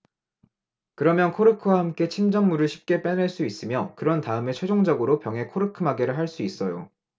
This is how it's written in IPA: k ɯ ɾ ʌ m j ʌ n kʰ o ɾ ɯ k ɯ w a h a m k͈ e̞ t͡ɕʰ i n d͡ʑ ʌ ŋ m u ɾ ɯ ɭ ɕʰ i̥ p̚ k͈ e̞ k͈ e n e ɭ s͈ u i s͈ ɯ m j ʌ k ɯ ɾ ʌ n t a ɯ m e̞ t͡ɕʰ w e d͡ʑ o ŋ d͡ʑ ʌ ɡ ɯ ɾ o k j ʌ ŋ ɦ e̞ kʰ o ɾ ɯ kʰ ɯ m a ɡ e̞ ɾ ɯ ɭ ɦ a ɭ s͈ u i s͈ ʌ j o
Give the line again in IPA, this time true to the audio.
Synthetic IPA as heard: k ɯ ɾ ʌ m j ʌ n kʰ o ɾ ɯ kʰ ɯ w a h a m k͈ e̞ t͡ɕʰ i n d͡ʑ ʌ ŋ m u ɾ ɯ ɭ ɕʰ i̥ p̚ k͈ e̞ p͈ e n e ɭ s͈ u i s͈ ɯ m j ʌ k ɯ ɾ ʌ n t a ɯ m e̞ t͡ɕʰ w e d͡ʑ o ŋ d͡ʑ ʌ ɡ ɯ ɾ o p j ʌ ŋ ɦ e̞ kʰ o ɾ ɯ kʰ ɯ m a ɡ e̞ ɾ ɯ ɭ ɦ a ɭ s͈ u i s͈ ʌ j o